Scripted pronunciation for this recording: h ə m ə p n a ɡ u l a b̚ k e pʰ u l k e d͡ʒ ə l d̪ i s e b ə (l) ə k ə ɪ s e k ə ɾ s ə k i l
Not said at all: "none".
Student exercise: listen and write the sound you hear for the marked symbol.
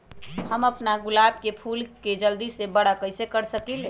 ɽ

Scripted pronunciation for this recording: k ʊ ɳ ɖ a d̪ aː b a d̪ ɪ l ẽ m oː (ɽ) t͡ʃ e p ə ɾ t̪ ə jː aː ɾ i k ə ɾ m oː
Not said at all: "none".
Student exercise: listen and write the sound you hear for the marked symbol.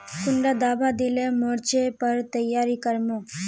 ɾ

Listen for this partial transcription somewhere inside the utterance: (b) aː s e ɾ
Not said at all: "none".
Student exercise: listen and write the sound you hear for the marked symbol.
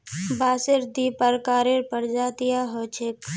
b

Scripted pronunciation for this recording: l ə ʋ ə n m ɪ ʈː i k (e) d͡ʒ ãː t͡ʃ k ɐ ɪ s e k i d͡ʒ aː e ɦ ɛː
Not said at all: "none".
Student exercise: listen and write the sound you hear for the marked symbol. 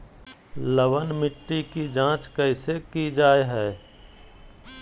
i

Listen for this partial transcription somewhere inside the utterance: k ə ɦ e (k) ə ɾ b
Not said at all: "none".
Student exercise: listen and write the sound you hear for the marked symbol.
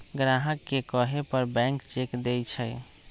p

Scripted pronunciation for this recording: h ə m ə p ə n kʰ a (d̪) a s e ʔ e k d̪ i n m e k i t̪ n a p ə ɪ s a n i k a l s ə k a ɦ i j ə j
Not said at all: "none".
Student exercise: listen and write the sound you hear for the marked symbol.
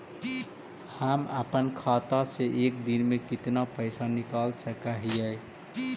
t̪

